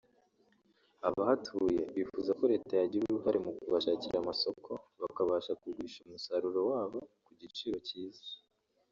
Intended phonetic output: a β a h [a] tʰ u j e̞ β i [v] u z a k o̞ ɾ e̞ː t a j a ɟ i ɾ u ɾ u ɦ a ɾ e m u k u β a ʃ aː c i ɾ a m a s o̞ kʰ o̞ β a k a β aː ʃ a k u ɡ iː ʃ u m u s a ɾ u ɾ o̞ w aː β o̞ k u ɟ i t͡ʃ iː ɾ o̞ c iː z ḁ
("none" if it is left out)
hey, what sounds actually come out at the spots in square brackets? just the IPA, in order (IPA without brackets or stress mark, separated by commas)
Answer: a, f